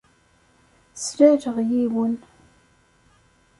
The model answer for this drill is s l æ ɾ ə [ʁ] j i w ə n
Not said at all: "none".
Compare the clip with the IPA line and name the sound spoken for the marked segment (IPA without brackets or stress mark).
ʁ